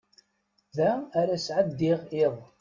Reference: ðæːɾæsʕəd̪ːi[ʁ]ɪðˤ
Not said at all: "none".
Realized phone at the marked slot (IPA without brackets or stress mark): ʁ